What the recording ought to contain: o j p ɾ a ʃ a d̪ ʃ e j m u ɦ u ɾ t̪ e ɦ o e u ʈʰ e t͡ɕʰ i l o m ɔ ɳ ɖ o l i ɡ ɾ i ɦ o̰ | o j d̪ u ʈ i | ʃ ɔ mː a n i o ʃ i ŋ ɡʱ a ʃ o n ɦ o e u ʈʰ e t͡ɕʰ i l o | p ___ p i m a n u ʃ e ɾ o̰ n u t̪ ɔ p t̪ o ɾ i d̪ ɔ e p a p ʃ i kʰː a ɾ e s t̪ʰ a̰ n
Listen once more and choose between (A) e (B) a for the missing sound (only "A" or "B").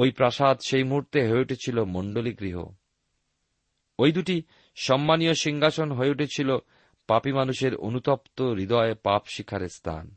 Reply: B